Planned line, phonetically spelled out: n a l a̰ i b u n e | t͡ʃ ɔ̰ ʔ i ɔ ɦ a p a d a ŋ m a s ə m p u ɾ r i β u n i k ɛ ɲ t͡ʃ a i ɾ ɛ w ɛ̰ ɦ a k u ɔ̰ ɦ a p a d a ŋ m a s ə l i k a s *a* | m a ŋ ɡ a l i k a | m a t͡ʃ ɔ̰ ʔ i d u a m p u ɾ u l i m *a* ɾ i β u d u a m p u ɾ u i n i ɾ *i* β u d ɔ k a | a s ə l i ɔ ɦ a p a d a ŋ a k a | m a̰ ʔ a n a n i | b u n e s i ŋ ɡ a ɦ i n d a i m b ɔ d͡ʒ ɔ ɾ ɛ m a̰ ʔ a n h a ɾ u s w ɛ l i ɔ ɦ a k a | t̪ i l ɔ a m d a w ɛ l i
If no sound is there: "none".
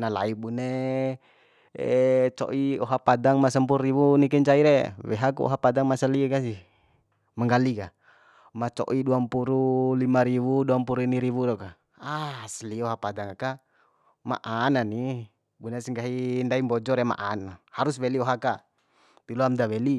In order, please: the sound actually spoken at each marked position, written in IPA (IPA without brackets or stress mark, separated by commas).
i, a, i